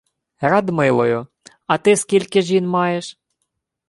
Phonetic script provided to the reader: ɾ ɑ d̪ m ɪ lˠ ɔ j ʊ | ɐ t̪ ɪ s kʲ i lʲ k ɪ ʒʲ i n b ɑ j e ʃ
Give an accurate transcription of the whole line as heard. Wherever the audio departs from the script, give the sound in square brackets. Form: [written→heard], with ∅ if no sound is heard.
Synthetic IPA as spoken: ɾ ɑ d̪ m ɪ lˠ ɔ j ʊ | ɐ t̪ ɪ s kʲ i lʲ k ɪ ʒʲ i n [b→m] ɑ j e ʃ